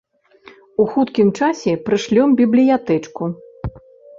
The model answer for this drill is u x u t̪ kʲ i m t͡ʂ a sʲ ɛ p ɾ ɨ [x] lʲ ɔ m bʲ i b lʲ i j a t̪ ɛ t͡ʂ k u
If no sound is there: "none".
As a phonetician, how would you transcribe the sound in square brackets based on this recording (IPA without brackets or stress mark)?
ʂ